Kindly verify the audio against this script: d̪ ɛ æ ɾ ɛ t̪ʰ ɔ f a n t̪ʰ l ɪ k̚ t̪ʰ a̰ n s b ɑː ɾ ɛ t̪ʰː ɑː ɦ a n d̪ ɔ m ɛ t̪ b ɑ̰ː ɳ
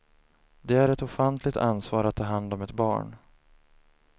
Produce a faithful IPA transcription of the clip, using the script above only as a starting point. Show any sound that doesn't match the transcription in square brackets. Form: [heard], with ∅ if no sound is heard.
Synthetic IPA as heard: d̪ ɛ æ ɾ ɛ [t̪] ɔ f a n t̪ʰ l ɪ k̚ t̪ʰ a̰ n s [v] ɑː ɾ [a] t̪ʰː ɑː ɦ a n d̪ ɔ m ɛ t̪ b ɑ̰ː ɳ